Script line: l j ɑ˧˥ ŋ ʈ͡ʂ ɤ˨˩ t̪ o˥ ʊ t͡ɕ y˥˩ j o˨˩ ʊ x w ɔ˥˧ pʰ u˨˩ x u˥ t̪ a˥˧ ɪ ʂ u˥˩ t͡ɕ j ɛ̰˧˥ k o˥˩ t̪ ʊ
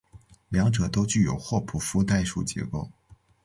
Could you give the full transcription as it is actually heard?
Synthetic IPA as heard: l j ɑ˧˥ ŋ ʈ͡ʂ ɤ˨˩ t̪ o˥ ʊ t͡ɕ y˥˩ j o˨˩ ʊ x w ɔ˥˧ pʰ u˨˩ f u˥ t̪ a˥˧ ɪ ʂ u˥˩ t͡ɕ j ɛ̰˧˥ k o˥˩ ʊ